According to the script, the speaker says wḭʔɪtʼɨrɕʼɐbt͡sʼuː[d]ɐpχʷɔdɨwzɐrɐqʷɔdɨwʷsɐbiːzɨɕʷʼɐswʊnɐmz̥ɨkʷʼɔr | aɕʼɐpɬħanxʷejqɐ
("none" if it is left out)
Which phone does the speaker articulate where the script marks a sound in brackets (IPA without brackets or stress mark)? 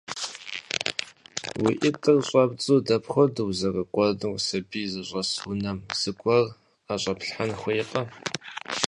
d